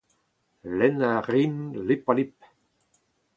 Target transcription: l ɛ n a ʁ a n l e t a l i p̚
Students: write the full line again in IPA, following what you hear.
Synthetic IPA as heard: l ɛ n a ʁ i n l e p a l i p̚